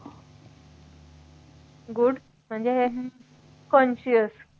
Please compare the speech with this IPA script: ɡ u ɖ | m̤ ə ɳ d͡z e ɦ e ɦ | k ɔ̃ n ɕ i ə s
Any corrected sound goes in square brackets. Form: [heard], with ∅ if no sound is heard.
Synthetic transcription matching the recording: ɡ u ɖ | m̤ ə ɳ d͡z e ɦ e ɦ | k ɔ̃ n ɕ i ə s